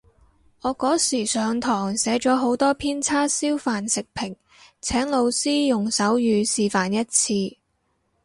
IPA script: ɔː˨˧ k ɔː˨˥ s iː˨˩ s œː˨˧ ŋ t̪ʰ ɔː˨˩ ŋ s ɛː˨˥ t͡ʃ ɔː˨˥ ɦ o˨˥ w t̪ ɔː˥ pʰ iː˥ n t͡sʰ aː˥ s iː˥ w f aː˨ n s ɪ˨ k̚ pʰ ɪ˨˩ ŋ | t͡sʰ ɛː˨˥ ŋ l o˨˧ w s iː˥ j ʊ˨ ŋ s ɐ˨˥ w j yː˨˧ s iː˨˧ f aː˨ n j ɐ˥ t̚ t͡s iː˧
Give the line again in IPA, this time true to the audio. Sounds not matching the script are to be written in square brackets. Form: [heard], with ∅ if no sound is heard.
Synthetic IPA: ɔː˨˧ k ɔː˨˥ s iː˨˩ s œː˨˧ ŋ t̪ʰ ɔː˨˩ ŋ s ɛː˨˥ t͡ʃ ɔː˨˥ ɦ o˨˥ w t̪ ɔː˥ pʰ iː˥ n t͡sʰ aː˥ s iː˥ w f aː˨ n s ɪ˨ k̚ pʰ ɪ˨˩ ŋ | t͡sʰ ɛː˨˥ ŋ l o˨˧ w s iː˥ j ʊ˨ ŋ s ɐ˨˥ w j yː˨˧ s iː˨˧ f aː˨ n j ɐ˥ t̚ [t͡sʰ] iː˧